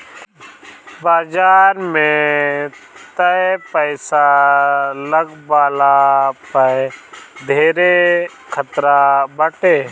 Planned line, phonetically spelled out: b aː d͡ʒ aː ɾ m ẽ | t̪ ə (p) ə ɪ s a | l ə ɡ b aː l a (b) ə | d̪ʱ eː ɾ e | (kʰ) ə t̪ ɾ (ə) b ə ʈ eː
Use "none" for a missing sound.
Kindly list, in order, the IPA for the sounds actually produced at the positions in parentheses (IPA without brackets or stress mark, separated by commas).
p, p, kʰ, a